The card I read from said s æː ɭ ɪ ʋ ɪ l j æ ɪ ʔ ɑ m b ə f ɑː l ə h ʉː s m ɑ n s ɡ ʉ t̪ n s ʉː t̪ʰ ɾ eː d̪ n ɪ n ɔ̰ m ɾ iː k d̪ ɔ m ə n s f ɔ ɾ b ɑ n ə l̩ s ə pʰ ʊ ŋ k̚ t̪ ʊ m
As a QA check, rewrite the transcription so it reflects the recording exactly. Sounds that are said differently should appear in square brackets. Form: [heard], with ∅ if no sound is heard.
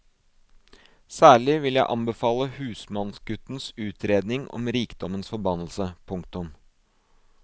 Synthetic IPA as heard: s æː ɭ ɪ ʋ ɪ l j æ ɪ ʔ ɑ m b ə f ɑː l ə h ʉː s m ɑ n s ɡ ʉ t̪ n s ʉː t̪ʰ ɾ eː d̪ n ɪ [ŋ] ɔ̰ m ɾ iː k d̪ ɔ m ə n s f ɔ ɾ b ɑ n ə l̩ s ə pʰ ʊ ŋ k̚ t̪ ʊ m